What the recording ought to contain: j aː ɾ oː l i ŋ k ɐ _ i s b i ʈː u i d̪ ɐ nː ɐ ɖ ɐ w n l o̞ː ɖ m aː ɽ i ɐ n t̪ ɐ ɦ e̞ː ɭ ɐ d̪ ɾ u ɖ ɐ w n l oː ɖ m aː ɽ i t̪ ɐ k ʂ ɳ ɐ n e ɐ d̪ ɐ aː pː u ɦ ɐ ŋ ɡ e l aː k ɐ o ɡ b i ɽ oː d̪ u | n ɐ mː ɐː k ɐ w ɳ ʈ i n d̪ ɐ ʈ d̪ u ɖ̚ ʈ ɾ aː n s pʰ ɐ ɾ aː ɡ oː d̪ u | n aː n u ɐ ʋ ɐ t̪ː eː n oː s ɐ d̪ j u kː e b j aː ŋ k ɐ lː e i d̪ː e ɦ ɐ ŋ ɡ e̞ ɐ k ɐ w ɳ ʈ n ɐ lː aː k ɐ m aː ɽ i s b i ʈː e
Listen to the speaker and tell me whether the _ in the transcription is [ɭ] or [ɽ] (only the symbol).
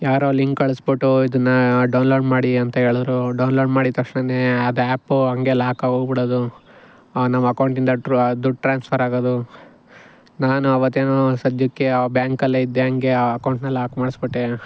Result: ɭ